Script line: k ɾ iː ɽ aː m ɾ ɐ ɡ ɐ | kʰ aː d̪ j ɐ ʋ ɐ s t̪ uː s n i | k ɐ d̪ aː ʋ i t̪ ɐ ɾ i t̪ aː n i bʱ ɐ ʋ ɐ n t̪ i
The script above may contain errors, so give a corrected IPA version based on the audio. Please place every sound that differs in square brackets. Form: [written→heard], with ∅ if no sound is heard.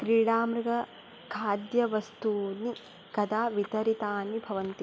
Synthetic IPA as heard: k ɾ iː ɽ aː m ɾ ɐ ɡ ɐ | kʰ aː d̪ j ɐ ʋ ɐ s t̪ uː [s→∅] n i | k ɐ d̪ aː ʋ i t̪ ɐ ɾ i t̪ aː n i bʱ ɐ ʋ ɐ n t̪ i